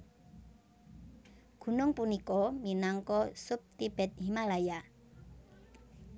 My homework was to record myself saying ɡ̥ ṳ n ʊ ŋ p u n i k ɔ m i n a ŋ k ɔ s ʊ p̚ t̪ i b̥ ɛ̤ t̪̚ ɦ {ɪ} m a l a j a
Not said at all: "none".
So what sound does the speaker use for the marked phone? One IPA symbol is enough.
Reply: i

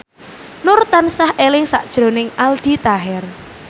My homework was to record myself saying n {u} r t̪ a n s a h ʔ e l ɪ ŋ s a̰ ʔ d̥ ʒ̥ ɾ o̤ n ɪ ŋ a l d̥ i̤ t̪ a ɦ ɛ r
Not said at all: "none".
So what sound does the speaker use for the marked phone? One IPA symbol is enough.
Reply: ʊ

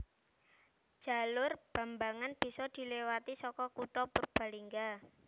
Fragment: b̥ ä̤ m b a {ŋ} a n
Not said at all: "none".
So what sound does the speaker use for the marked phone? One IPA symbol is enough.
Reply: ŋ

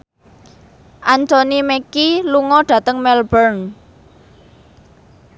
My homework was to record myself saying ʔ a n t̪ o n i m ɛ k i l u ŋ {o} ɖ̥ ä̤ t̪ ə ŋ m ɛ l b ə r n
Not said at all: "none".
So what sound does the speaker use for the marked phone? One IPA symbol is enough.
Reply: ɔ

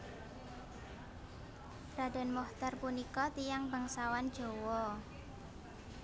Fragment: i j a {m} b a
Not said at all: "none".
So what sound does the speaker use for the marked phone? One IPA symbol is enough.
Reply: ŋ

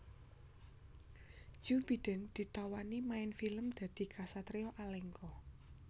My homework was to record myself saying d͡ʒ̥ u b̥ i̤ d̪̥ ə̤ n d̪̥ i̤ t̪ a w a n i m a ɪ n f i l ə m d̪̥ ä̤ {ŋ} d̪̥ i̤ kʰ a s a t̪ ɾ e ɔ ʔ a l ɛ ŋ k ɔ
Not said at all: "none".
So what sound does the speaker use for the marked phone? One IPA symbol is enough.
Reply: none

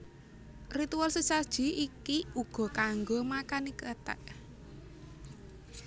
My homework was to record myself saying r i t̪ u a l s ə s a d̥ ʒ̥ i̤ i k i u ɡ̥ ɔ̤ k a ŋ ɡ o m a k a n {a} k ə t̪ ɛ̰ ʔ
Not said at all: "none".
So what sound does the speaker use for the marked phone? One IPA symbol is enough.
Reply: i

